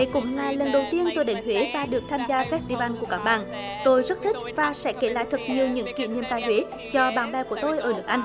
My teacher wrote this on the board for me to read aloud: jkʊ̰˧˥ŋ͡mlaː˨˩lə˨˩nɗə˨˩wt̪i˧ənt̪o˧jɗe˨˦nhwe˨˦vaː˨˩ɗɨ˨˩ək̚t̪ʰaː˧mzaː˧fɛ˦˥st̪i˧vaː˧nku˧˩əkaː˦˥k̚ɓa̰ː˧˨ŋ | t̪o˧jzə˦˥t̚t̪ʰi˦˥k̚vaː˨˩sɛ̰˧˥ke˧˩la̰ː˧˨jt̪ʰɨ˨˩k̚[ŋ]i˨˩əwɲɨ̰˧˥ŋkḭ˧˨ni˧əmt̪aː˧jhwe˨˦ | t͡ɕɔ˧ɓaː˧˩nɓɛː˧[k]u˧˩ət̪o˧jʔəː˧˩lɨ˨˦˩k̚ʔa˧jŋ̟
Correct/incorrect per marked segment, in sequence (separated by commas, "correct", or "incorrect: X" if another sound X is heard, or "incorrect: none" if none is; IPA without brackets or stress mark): incorrect: ɲ, correct